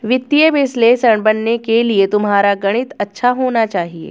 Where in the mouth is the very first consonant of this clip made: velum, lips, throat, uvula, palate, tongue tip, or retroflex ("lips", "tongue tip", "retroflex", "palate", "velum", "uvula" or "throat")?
lips